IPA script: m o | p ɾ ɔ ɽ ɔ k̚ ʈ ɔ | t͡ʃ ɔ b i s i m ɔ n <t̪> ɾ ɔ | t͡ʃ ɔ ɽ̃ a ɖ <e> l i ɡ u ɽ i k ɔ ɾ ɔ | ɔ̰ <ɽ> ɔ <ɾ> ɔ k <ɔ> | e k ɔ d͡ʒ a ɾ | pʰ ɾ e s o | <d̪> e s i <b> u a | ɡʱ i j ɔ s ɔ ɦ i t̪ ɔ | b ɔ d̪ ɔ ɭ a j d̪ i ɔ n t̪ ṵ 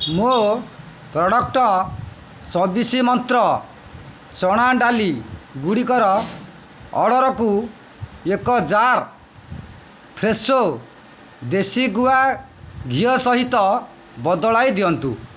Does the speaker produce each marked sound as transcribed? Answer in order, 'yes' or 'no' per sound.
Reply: yes, no, yes, yes, no, yes, no

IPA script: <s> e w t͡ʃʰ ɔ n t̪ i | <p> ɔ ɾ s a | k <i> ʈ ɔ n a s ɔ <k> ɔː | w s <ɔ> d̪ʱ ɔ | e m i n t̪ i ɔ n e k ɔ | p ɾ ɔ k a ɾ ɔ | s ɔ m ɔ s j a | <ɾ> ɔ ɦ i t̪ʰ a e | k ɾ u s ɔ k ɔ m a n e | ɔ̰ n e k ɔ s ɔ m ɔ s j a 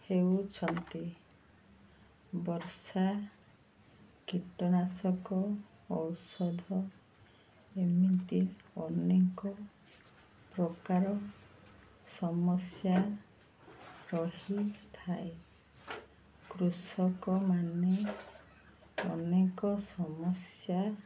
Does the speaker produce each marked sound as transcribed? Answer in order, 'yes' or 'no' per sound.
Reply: no, no, yes, yes, yes, yes

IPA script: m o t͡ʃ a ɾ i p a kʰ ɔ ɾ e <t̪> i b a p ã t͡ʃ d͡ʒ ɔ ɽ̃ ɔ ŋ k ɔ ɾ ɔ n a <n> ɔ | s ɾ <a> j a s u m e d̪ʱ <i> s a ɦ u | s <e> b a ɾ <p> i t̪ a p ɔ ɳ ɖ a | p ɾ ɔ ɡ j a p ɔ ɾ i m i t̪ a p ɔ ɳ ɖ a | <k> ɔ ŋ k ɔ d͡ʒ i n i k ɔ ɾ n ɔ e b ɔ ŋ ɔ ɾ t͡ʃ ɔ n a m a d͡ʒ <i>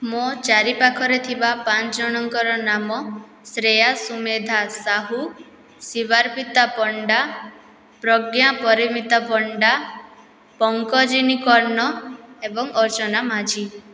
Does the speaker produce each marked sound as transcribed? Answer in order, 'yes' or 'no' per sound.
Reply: no, no, no, no, no, yes, no, yes

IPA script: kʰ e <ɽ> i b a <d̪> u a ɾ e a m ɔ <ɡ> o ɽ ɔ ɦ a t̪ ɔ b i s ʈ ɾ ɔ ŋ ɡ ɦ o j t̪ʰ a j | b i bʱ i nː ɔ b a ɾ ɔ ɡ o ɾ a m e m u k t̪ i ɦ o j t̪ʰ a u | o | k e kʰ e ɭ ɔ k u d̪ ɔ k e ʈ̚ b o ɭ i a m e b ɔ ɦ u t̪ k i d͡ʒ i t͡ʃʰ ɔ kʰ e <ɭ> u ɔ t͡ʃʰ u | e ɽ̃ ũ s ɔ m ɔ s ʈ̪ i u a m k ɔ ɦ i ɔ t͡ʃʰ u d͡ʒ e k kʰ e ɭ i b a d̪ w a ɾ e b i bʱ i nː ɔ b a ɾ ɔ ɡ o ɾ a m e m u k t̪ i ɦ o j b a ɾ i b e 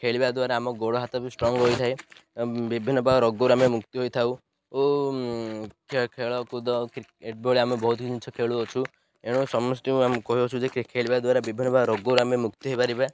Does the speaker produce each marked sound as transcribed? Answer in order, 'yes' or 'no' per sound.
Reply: no, yes, yes, yes

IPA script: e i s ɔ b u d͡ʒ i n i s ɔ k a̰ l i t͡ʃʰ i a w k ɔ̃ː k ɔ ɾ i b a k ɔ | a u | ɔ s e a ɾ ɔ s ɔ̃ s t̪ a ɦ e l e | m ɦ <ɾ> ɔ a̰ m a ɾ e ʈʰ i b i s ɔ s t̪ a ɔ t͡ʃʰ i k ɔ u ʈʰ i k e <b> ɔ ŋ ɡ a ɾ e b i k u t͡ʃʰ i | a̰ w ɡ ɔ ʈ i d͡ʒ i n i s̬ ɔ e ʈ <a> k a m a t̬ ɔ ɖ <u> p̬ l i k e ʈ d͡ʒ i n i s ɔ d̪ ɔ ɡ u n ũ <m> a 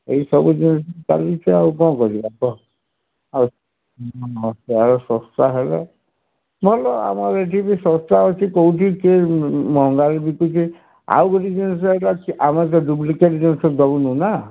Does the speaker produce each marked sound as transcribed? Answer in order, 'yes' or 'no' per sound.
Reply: no, no, yes, yes, no

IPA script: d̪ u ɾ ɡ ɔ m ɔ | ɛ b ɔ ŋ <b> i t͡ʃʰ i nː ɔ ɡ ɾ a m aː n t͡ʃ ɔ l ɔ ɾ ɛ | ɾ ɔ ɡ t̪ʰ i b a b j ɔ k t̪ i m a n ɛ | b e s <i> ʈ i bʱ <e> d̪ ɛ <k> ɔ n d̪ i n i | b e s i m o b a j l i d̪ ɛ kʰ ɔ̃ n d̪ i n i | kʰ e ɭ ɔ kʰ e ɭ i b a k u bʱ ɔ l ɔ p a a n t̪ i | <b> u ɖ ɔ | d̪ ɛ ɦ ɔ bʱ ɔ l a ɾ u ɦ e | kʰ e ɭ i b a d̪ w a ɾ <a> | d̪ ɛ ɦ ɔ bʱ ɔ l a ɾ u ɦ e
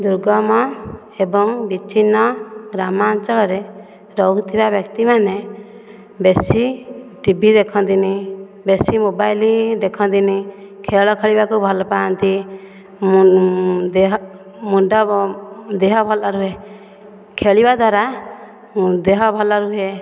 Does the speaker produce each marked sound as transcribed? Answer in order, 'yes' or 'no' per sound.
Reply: yes, yes, no, no, no, yes

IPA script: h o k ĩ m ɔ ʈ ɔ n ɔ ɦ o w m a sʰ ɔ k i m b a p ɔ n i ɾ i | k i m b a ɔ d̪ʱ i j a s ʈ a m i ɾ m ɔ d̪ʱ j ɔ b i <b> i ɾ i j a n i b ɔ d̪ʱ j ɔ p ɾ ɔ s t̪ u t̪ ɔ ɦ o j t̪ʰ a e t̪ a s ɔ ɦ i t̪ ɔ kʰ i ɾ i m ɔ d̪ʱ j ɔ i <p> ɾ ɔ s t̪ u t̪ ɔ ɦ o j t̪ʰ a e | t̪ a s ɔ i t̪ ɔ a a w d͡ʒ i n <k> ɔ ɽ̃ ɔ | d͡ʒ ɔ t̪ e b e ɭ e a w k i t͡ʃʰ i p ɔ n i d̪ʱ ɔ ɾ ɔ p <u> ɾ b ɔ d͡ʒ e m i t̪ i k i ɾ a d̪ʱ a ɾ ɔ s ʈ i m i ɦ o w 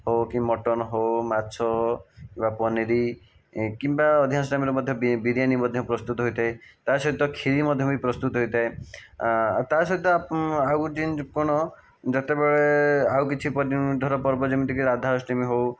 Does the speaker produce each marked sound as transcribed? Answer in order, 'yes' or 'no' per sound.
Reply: yes, yes, yes, no

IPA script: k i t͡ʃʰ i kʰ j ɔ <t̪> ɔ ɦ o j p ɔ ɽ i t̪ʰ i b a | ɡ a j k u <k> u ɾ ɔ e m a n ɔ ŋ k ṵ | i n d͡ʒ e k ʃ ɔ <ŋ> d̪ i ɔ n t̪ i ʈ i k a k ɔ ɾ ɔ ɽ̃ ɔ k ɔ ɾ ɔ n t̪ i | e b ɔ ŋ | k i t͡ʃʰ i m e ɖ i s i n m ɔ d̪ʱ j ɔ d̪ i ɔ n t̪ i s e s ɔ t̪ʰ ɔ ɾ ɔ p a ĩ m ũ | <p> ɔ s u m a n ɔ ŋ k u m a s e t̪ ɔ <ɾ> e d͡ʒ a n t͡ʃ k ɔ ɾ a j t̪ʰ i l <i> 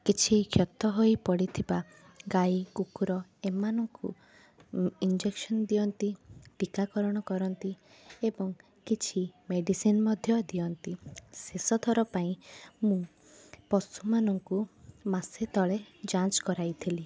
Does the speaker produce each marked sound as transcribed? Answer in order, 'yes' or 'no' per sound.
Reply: yes, yes, no, yes, no, yes

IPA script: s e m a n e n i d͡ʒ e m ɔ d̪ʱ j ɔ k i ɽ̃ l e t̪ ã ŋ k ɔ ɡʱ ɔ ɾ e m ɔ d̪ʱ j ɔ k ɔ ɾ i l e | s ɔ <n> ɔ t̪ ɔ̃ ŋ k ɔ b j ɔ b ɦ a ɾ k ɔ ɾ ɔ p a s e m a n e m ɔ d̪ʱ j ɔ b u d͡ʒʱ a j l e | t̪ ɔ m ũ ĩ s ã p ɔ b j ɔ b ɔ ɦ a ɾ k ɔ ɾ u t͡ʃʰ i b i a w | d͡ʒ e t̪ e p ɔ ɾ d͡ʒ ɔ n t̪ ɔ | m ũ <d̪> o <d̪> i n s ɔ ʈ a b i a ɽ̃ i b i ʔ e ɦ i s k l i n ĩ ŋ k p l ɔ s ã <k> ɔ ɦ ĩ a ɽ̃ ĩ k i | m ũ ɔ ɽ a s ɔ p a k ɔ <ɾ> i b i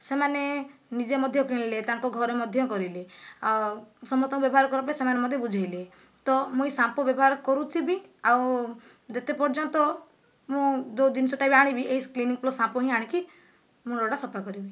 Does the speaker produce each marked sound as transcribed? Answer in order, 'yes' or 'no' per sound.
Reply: no, yes, yes, no, yes

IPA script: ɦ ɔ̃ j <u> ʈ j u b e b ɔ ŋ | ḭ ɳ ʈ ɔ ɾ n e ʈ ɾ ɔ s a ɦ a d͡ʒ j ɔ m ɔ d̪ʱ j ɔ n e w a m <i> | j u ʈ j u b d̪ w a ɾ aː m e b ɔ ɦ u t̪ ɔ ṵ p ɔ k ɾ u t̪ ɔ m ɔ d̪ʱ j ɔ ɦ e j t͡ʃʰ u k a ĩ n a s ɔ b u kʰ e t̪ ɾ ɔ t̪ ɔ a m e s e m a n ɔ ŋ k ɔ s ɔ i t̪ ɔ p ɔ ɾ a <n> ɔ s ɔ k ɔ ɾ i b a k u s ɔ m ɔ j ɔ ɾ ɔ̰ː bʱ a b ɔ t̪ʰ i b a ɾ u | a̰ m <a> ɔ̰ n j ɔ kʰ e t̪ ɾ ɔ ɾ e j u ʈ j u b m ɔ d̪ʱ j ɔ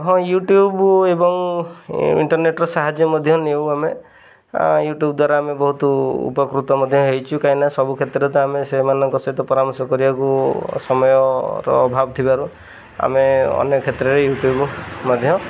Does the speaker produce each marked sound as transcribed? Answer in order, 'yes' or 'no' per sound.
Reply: yes, no, no, no

